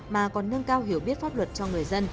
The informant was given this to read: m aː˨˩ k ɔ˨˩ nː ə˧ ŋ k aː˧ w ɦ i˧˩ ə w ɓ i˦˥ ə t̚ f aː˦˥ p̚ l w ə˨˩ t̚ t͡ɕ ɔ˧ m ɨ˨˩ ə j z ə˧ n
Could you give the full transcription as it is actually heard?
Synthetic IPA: m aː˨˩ k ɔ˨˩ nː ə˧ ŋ k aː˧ w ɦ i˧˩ ə w ɓ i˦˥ ə t̚ f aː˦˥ p̚ l w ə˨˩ t̚ t͡ɕ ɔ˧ ŋ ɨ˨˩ ə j z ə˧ n